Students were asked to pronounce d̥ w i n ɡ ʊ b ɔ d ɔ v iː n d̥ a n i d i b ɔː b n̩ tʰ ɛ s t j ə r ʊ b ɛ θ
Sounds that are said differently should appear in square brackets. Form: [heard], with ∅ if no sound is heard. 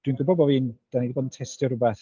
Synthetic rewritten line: d̥ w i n ɡ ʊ b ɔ [b] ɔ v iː n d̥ a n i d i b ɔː [d] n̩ tʰ ɛ s t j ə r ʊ b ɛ θ